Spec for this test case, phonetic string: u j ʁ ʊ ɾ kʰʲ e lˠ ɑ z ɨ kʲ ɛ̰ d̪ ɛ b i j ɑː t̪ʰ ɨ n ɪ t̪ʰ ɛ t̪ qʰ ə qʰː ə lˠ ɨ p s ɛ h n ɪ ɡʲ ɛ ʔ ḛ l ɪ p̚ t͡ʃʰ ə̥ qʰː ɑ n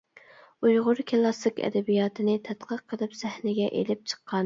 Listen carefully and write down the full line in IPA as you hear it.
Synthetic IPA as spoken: u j ʁ ʊ ɾ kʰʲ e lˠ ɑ s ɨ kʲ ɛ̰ d̪ ɛ b i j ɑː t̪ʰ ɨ n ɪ t̪ʰ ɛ t̪ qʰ ə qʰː ə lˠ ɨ p s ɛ h n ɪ ɡʲ ɛ ʔ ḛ l ɪ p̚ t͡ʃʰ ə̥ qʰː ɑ n